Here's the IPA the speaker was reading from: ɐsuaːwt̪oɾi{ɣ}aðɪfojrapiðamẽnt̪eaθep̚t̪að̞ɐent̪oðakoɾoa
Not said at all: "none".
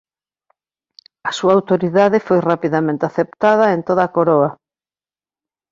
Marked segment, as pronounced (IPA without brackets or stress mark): ð